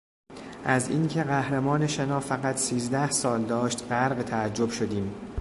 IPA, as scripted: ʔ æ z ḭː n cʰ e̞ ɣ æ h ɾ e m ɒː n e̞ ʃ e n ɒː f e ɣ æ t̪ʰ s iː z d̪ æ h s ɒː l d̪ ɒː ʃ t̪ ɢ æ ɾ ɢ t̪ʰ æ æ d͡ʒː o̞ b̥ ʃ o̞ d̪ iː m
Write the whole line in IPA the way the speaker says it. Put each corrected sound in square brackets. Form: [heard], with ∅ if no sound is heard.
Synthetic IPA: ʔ æ z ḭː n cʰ e̞ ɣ æ h ɾ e m ɒː n e̞ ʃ e n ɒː f [æ] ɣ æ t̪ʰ s iː z d̪ æ h s ɒː l d̪ ɒː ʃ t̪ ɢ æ ɾ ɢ t̪ʰ æ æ d͡ʒː o̞ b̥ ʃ o̞ d̪ iː m